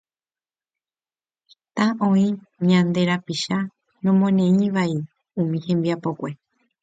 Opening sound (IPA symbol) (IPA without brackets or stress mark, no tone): t̪